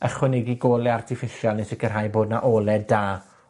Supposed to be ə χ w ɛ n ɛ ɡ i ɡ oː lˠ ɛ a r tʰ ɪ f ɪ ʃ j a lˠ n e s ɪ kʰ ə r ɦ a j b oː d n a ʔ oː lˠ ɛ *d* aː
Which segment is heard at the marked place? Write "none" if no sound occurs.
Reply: d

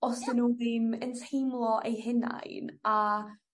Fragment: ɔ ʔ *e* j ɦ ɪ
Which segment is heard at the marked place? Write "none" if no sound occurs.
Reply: e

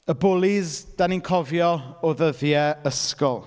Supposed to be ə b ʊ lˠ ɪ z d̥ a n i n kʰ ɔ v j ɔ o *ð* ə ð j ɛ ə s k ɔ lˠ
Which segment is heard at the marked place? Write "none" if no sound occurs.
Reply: ð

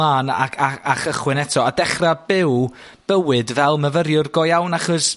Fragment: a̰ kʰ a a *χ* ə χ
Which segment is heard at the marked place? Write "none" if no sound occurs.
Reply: χ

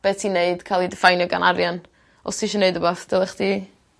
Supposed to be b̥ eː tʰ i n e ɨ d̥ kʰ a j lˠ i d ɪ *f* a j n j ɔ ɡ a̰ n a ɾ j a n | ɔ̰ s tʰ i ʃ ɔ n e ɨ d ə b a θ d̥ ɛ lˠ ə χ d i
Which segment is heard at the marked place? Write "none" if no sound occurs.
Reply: f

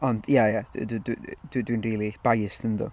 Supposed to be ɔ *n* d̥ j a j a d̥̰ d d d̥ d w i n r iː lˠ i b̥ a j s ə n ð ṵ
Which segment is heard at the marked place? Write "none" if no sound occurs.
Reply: n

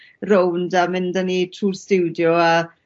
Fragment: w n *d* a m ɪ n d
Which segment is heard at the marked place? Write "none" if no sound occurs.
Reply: d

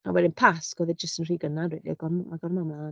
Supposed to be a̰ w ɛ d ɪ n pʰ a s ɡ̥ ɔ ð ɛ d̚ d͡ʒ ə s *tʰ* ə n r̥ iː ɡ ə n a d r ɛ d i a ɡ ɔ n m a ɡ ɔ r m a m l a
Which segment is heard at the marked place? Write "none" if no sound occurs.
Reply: t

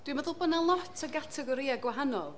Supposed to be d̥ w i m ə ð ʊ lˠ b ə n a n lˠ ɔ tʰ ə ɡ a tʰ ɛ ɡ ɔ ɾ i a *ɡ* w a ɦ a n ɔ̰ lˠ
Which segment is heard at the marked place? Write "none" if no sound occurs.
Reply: ɡ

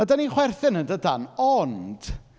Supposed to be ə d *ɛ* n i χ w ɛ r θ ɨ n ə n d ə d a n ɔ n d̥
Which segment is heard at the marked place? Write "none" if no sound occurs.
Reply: a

